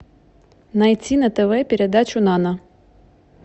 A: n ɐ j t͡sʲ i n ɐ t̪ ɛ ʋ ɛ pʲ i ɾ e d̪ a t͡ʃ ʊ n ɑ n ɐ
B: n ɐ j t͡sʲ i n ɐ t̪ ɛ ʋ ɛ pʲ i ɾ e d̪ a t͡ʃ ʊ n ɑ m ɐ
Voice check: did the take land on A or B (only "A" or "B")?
A